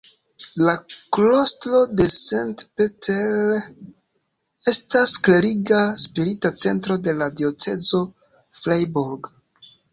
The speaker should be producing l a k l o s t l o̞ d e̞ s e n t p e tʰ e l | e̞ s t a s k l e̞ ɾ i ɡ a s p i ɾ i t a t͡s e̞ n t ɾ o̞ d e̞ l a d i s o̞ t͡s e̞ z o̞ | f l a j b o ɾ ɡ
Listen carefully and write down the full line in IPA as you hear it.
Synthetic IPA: l a k l o s t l o̞ d e̞ s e n t p e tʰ e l | e̞ s t a s k l e̞ ɾ i ɡ a s p i ɾ i t a t͡s e̞ n t ɾ o̞ d e̞ l a d i o̞ t͡s e̞ z o̞ | f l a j b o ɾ ɡ